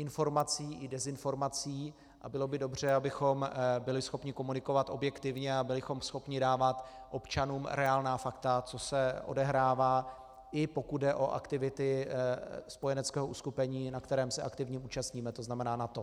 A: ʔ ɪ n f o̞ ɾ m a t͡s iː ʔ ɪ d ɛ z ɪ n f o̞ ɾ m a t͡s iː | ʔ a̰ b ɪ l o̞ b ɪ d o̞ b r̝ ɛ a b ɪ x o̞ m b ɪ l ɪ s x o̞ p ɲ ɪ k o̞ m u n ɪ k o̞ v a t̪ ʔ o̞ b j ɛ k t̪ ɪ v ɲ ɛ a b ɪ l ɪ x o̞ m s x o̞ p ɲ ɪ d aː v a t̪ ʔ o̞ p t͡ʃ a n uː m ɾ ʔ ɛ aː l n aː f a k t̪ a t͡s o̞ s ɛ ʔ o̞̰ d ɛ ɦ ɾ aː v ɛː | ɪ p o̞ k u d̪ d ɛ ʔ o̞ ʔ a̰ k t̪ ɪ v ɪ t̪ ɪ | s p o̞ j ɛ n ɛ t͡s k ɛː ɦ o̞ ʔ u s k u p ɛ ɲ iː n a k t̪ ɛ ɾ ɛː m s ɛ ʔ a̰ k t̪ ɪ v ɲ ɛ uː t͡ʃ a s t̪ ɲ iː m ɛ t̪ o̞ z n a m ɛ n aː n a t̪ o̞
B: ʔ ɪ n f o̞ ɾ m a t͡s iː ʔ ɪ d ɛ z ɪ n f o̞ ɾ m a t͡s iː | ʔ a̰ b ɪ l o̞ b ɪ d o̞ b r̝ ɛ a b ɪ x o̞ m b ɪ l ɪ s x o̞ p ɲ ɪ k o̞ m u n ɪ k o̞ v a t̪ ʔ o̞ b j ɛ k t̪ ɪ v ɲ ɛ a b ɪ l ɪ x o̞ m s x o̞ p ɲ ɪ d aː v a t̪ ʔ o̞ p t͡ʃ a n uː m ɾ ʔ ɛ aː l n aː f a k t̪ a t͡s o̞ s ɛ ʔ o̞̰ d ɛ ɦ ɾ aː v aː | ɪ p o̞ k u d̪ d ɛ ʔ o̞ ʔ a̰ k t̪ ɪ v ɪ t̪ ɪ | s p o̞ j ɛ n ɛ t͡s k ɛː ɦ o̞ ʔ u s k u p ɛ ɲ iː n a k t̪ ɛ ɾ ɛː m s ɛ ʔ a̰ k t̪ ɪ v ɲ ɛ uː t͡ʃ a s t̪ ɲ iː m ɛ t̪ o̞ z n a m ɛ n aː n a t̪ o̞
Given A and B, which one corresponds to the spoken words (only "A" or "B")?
B